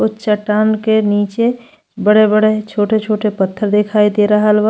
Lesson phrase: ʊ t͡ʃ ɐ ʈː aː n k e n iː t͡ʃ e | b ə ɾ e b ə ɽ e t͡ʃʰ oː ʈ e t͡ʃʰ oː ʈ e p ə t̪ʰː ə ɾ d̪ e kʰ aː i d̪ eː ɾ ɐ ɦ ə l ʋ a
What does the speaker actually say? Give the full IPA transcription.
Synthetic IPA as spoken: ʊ t͡ʃ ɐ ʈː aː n k e n iː t͡ʃ e | b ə ɽ e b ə ɽ e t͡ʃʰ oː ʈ e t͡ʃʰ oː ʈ e p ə t̪ʰː ə ɾ d̪ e kʰ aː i d̪ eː ɾ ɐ ɦ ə l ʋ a